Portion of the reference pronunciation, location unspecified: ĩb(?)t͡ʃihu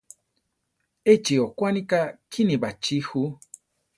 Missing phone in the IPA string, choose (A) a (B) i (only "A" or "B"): A